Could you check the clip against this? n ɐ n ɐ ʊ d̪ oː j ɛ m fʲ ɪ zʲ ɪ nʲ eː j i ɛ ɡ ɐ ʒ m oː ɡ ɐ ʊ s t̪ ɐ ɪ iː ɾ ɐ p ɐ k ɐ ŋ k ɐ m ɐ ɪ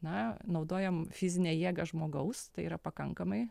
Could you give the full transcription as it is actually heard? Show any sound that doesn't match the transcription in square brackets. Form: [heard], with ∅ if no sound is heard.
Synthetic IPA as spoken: n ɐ n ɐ ʊ d̪ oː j ɛ m fʲ ɪ zʲ ɪ nʲ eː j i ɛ ɡ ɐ ʒ m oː ɡ ɐ ʊ s t̪ ɐ ɪ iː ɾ ɐ p ɐ k ɐ ŋ k ɐ m ɐ ɪ